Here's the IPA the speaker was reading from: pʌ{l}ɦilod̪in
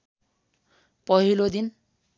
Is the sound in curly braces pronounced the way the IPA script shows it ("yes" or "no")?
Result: no